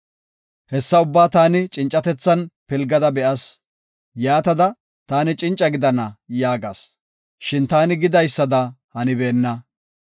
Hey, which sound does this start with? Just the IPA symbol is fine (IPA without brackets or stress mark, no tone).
h